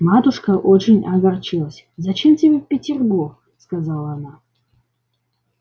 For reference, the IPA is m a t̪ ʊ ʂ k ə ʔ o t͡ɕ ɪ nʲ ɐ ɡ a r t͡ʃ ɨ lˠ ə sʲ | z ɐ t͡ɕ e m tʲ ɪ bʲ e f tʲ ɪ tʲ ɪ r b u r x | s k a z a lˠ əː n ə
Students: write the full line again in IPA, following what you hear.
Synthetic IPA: m a t̪ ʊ ʂ k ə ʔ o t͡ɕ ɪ nʲ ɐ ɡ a r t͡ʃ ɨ lˠ ə sʲ | z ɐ t͡ɕ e m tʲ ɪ bʲ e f pʲ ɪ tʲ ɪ r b u r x | s k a z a lˠ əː n a